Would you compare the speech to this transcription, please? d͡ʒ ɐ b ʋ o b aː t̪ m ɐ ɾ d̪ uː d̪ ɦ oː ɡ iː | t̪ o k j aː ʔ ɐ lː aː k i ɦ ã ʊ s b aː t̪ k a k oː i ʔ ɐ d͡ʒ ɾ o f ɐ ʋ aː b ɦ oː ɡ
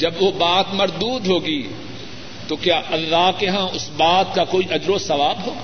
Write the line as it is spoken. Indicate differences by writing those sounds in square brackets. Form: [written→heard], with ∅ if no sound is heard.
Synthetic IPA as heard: d͡ʒ ɐ b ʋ o b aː t̪ m ɐ ɾ d̪ uː d̪ ɦ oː ɡ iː | t̪ o k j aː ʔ ɐ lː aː k [i→e] ɦ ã ʊ s b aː t̪ k a k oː i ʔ ɐ d͡ʒ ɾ o [f→s] ɐ ʋ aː b ɦ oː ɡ